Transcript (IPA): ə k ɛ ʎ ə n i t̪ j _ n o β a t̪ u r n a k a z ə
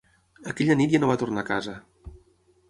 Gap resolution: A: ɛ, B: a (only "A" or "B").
B